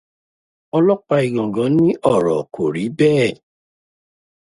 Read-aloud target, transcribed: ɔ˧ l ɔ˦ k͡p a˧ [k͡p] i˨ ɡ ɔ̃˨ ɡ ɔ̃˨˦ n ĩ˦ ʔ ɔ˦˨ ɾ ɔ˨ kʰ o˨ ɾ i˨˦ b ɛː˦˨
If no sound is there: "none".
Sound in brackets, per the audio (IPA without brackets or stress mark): none